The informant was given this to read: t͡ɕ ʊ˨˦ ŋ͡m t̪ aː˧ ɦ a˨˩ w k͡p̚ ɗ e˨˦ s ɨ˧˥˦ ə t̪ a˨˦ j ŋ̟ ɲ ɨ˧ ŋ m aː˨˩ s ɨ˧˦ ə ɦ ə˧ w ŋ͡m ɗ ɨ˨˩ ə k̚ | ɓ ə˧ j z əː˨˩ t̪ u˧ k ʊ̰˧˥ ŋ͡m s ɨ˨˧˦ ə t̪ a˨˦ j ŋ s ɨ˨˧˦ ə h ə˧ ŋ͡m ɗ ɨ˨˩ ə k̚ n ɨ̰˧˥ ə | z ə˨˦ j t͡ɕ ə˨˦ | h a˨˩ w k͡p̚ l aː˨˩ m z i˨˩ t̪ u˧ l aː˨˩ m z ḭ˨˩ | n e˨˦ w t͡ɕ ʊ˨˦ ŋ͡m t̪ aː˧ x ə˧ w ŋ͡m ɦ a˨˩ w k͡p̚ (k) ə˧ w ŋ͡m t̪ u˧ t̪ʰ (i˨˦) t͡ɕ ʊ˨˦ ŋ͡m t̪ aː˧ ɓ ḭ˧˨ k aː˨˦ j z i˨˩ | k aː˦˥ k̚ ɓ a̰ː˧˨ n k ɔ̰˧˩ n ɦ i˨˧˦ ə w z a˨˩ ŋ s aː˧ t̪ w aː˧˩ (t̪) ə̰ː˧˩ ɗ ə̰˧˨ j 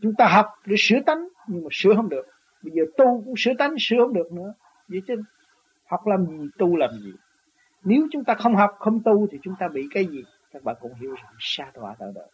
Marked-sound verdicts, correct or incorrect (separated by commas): incorrect, incorrect, correct